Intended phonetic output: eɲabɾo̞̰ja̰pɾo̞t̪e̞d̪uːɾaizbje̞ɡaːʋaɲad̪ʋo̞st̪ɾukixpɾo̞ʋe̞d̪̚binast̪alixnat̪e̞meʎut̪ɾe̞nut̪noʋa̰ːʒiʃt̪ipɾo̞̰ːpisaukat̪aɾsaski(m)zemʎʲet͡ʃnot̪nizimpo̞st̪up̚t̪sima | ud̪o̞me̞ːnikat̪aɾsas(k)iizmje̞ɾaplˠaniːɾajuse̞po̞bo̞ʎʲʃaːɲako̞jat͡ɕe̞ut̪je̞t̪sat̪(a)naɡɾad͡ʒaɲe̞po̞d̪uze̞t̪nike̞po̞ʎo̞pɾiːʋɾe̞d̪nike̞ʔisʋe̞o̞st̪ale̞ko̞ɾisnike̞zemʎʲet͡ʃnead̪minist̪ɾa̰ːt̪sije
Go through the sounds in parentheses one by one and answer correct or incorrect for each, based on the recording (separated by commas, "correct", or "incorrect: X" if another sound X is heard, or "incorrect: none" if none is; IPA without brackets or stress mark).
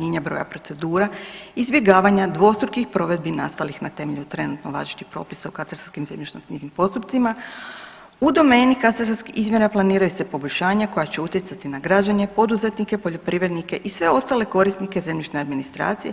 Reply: correct, correct, incorrect: i